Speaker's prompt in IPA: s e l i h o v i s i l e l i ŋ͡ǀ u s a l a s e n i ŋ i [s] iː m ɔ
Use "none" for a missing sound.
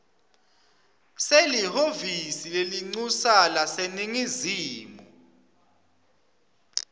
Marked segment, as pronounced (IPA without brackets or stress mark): z